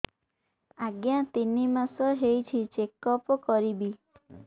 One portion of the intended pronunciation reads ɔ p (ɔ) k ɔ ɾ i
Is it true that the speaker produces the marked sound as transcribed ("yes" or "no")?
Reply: yes